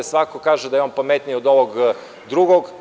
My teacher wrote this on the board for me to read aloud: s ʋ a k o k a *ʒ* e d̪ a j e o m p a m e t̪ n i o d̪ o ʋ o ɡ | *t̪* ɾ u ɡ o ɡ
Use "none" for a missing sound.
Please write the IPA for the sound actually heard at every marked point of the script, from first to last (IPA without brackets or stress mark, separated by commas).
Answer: ʒ, d̪